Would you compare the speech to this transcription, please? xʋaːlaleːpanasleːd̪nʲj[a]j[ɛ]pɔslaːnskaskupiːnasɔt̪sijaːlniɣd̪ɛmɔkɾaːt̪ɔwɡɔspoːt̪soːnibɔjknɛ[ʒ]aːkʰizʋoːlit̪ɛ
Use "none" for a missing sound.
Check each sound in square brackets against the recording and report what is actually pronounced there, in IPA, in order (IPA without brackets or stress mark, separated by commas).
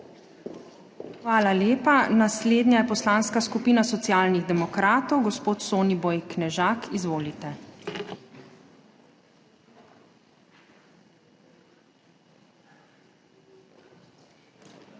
a, ɛ, ʒ